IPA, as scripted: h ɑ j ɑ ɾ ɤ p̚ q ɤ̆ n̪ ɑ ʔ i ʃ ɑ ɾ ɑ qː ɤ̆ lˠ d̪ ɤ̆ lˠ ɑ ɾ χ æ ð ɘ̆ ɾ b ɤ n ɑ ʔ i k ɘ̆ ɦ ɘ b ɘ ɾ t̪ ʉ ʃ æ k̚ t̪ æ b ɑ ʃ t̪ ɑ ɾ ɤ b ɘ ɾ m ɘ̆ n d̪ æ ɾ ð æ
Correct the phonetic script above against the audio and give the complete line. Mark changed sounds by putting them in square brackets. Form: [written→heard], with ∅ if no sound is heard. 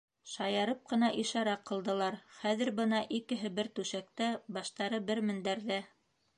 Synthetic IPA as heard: [h→ʃ] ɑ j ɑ ɾ ɤ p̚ q ɤ̆ n̪ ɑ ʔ i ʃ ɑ ɾ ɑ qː ɤ̆ lˠ d̪ ɤ̆ lˠ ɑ ɾ χ æ ð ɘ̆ ɾ b ɤ n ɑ ʔ i k ɘ̆ ɦ ɘ b ɘ ɾ t̪ ʉ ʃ æ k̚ t̪ æ b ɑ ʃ t̪ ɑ ɾ ɤ b ɘ ɾ m ɘ̆ n d̪ æ ɾ ð æ

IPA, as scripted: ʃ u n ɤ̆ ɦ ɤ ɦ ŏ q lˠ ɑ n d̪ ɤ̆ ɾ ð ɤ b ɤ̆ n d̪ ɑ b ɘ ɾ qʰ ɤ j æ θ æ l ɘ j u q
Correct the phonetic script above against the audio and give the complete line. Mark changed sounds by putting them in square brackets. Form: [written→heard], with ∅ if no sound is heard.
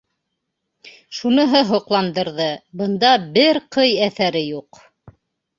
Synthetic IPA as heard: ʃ u n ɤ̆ ɦ ɤ ɦ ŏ q lˠ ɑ n d̪ ɤ̆ ɾ ð ɤ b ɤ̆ n d̪ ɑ b ɘ ɾ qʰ ɤ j æ θ æ [l→ɾ] ɘ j u q

